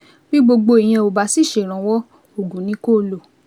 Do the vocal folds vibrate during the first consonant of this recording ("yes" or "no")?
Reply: yes